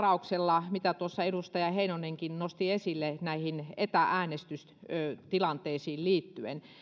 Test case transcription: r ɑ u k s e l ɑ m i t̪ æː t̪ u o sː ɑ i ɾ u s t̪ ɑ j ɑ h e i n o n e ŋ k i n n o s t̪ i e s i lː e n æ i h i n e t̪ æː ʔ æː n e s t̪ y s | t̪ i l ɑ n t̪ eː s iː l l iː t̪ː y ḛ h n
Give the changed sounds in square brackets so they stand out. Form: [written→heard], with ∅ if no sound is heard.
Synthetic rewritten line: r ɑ u k s e [l→lː] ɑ m i t̪ [æː→æ] t̪ u o sː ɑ [i→e] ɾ u s t̪ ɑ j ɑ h e i n o n e ŋ k i n n o s t̪ i e s i lː e n æ i h i n e t̪ [æː→æ] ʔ æː n e s t̪ y s | t̪ i l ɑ n t̪ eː s iː l l iː t̪ː y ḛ [h→∅] n